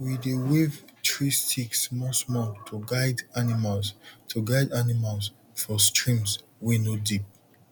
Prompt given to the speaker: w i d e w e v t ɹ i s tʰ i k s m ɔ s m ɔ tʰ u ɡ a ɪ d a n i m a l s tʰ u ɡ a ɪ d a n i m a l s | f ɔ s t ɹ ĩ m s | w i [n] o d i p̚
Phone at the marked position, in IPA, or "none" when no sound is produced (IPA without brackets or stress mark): n